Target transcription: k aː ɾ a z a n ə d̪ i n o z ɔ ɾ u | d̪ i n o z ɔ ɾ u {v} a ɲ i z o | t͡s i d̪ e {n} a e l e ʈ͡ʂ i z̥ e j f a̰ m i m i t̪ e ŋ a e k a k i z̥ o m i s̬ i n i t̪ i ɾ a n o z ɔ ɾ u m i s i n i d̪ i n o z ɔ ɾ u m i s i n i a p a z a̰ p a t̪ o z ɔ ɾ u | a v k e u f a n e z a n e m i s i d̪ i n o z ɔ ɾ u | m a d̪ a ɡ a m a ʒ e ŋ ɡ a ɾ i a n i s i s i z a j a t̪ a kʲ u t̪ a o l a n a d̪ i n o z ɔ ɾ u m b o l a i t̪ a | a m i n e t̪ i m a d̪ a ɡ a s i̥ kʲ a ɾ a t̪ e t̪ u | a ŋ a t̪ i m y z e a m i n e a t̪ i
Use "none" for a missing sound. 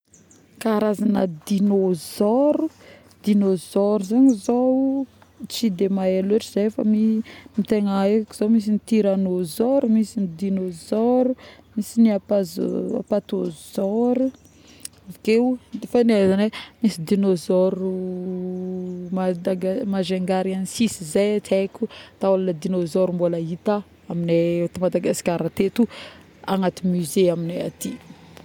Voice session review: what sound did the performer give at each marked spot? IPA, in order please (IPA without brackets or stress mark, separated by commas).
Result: z, m